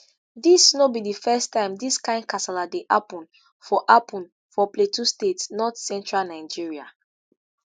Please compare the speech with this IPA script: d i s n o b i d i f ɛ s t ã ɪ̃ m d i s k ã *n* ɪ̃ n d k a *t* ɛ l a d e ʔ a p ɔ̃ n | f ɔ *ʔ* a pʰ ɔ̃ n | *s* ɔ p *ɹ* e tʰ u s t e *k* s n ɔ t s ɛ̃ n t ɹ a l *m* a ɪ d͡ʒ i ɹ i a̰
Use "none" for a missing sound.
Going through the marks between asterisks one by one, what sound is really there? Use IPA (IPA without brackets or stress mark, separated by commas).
none, s, ʔ, f, l, t, n